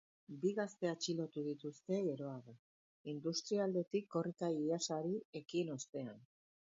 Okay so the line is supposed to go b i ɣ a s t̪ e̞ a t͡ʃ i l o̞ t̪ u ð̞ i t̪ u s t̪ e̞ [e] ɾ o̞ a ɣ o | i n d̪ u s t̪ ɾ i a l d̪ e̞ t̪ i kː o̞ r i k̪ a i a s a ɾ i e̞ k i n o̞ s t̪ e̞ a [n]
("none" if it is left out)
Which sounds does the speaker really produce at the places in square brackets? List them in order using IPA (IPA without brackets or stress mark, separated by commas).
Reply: e, n